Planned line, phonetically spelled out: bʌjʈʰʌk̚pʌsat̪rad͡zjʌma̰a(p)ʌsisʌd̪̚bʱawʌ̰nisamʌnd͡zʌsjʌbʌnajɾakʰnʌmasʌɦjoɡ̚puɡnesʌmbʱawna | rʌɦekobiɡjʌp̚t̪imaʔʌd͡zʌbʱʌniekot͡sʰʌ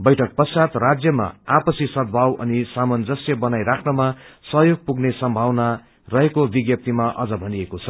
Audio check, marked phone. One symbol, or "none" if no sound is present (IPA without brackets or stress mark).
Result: p